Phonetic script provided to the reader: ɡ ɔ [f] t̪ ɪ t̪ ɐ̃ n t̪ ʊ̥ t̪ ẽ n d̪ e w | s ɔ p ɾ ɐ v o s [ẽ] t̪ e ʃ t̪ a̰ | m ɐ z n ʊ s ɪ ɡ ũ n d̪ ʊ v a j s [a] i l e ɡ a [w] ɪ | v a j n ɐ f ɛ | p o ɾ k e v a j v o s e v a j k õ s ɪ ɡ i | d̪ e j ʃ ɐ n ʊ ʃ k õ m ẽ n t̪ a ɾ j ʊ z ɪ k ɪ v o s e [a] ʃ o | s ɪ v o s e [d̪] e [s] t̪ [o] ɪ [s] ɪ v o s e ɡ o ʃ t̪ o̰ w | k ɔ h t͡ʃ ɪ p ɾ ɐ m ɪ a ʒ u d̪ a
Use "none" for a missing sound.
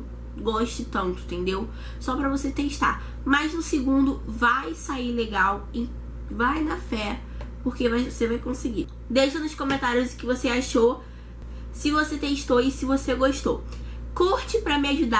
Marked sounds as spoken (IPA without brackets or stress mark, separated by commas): ʃ, e, a, w, a, t̪, ʃ, o, s